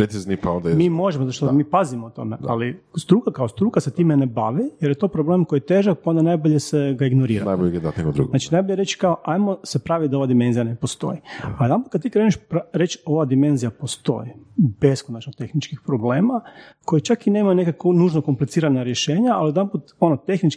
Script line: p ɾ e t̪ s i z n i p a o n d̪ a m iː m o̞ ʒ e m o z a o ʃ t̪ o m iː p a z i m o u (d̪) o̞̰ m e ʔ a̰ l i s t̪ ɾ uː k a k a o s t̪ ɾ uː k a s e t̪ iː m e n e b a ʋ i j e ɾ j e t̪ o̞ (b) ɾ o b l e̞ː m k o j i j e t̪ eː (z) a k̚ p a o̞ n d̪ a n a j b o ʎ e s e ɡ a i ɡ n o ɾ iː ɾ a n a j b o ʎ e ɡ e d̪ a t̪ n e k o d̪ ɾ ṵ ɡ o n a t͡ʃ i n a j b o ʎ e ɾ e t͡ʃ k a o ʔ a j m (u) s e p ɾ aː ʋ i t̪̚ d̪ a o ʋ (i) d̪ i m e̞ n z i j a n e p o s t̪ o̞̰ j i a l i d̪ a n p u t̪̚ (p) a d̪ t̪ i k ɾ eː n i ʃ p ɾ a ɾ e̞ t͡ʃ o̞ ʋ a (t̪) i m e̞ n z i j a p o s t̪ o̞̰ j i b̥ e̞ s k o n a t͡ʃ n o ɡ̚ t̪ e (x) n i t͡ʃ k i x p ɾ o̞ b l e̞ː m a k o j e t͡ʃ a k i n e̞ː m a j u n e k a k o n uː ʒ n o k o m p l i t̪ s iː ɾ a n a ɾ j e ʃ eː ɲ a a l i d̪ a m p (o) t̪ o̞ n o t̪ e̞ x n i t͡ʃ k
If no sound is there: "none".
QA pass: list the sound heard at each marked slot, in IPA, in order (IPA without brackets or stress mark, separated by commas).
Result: t̪, p, ʒ, o, a, k, d̪, x, u